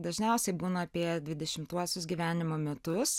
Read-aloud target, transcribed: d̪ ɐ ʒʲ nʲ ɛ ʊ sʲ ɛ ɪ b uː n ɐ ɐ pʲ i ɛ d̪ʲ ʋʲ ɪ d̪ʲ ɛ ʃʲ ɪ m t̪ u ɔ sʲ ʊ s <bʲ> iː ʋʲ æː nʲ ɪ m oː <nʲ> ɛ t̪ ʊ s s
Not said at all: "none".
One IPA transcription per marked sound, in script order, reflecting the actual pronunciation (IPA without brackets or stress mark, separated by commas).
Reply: ɡʲ, mʲ